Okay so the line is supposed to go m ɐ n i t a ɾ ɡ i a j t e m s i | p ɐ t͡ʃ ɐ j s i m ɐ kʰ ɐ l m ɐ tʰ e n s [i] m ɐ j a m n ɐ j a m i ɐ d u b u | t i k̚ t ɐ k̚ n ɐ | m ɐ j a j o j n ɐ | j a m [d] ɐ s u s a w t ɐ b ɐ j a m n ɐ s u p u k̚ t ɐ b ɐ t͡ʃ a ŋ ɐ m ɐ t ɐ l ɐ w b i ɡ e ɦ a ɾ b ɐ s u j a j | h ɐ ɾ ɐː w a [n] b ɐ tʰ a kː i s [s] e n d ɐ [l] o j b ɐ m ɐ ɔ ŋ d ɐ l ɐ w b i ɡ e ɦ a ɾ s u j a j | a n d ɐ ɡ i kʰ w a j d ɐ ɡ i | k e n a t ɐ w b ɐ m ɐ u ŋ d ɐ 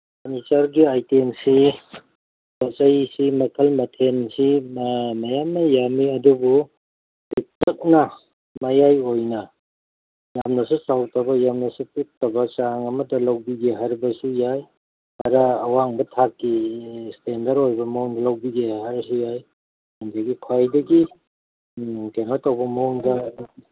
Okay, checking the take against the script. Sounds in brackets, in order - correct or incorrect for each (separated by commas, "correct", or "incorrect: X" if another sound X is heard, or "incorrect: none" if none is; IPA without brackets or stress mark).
correct, incorrect: n, incorrect: ŋ, incorrect: t, incorrect: ɾ